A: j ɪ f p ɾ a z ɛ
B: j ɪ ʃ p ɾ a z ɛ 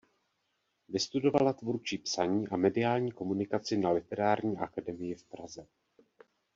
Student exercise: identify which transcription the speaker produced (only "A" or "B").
A